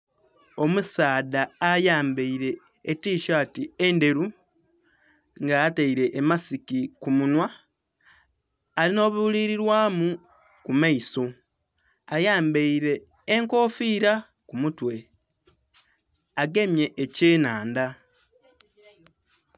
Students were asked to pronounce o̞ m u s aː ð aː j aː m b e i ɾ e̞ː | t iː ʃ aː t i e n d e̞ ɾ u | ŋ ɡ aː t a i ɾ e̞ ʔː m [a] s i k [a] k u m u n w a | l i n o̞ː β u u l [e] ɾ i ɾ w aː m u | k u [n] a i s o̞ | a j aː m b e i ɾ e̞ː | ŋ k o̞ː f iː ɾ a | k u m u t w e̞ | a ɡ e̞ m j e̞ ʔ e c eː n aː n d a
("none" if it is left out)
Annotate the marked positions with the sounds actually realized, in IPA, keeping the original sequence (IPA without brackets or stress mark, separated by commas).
a, i, i, m